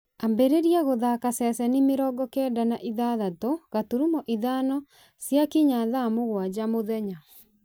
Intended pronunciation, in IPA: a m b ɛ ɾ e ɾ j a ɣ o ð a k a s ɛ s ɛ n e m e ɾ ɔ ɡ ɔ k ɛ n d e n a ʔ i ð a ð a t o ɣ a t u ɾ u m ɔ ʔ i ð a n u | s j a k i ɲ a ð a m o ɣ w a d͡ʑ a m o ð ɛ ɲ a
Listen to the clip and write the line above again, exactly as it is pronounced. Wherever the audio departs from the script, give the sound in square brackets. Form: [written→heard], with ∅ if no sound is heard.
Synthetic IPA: a m b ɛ ɾ e ɾ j a ɣ o ð a k a s ɛ s ɛ n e m e ɾ ɔ ɡ ɔ k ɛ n d [e→a] n a ʔ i ð a ð a t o ɣ a t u ɾ u m ɔ ʔ i ð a n [u→ɔ] | s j a k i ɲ a ð a m o ɣ w a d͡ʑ a m o ð ɛ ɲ a